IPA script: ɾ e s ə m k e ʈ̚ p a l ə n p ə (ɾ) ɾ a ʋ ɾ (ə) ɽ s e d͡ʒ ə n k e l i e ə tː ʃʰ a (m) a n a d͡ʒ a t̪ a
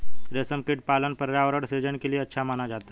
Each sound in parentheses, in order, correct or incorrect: correct, correct, correct

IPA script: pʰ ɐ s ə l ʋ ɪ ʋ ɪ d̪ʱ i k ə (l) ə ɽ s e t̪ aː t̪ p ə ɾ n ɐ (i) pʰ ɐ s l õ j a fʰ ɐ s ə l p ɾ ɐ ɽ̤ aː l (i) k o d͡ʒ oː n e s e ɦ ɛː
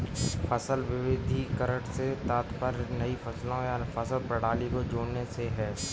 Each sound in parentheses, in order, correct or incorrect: incorrect: ɾ, correct, correct

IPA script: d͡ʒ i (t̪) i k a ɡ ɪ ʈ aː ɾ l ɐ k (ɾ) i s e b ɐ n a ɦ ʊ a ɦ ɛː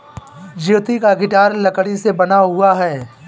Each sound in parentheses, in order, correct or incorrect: correct, incorrect: ɽ

